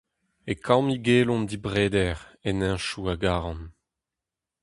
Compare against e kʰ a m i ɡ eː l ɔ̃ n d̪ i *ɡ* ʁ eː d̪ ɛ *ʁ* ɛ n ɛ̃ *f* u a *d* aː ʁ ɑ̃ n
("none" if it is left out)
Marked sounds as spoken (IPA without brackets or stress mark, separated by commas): b, ʁ, ʃ, ɡ